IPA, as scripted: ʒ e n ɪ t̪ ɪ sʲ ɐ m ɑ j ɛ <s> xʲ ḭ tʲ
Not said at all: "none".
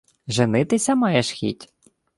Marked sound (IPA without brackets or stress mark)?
ʃ